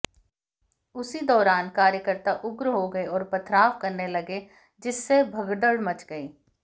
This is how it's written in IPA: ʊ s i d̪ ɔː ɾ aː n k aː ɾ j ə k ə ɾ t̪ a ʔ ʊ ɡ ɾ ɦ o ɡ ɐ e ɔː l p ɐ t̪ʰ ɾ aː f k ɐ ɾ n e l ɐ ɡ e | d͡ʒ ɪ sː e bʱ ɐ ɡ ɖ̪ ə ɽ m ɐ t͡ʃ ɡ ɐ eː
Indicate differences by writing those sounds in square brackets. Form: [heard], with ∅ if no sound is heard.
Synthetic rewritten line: ʊ s i d̪ ɔː ɾ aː n k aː ɾ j ə k ə ɾ t̪ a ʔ ʊ ɡ ɾ ɦ o ɡ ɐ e ɔː [ɾ] p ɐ t̪ʰ ɾ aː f k ɐ ɾ n e l ɐ ɡ e | d͡ʒ ɪ sː e bʱ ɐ ɡ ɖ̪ ə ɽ m ɐ t͡ʃ ɡ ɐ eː